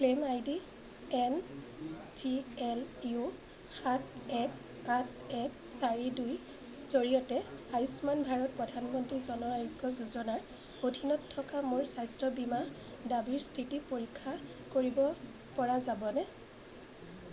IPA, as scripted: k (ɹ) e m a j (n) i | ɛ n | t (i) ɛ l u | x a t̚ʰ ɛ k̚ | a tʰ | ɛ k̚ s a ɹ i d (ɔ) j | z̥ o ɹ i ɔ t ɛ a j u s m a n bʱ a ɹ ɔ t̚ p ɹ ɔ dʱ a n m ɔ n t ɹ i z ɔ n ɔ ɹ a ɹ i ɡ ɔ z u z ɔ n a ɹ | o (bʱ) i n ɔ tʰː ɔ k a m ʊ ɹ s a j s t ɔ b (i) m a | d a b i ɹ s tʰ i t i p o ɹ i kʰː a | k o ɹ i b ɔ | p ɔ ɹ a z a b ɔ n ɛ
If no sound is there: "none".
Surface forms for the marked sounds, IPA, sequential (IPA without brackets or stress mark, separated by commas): l, d, i, u, dʱ, i